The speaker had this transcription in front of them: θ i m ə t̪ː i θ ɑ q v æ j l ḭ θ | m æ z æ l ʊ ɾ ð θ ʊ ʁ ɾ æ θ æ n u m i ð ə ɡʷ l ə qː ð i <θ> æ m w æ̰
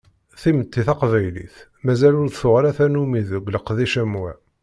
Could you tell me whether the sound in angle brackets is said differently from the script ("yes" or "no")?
yes